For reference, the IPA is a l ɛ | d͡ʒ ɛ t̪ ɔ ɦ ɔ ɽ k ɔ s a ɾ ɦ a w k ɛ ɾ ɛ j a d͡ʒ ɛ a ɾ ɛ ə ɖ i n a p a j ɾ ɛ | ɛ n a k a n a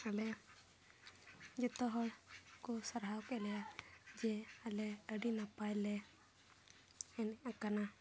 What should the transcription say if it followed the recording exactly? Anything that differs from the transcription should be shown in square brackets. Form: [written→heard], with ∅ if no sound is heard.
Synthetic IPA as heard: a l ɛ | d͡ʒ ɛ t̪ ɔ ɦ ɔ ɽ k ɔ s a ɾ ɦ a w k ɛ [ɾ→l] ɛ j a d͡ʒ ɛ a [ɾ→l] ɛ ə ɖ i n a p a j [ɾ→l] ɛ | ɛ n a k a n a

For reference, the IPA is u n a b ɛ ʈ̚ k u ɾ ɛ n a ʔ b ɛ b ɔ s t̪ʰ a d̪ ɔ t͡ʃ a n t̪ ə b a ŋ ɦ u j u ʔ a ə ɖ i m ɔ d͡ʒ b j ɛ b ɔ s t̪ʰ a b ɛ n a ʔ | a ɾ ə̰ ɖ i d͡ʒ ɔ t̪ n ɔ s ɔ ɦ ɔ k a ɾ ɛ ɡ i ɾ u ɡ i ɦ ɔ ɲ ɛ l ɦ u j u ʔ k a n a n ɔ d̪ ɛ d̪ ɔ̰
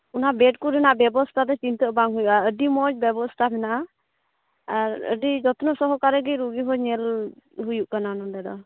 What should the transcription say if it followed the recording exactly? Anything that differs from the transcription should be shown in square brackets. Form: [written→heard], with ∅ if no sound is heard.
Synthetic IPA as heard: u n a b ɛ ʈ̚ k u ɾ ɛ n a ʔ b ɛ b ɔ s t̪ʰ a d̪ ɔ t͡ʃ [a→i] n t̪ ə b a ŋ ɦ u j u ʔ a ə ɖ i m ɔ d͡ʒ b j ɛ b ɔ s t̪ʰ a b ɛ n a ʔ | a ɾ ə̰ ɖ i d͡ʒ ɔ t̪ n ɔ s ɔ ɦ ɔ k a ɾ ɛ ɡ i ɾ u ɡ i ɦ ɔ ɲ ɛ l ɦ u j u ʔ k a n a n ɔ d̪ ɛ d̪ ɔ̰

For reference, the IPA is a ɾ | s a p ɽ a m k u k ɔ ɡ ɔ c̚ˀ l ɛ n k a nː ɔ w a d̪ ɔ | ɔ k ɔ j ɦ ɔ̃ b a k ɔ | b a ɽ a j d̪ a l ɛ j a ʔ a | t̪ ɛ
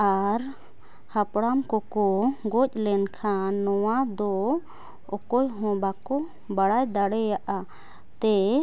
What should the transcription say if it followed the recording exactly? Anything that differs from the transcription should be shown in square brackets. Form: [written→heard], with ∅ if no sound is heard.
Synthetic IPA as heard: a ɾ | [s→h] a p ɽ a m k [u→ɔ] k ɔ ɡ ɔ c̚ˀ l ɛ n [k→kʰ] a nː ɔ w a d̪ ɔ | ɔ k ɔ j ɦ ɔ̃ b a k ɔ | b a ɽ a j d̪ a [l→ɽ] ɛ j a ʔ a | t̪ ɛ

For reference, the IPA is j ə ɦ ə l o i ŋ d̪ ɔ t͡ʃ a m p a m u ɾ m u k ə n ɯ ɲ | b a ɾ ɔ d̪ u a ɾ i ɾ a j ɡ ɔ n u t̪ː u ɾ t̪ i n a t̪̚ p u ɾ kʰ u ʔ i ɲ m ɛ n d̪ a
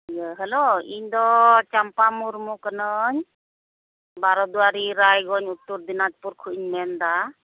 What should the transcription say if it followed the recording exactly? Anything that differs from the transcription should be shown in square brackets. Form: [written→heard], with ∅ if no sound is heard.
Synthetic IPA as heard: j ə ɦ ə l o i [ŋ→ɲ] d̪ ɔ t͡ʃ a m p a m u ɾ m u k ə n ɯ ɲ | b a ɾ ɔ d̪ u a ɾ i ɾ a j ɡ ɔ [n→ɲ] u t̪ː u ɾ [t̪→d̪] i n a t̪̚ p u ɾ kʰ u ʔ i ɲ m ɛ n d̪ a

